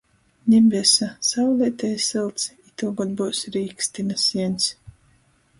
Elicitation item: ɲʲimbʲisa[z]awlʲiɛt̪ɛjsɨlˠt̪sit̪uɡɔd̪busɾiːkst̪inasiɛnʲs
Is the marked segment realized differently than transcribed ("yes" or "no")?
yes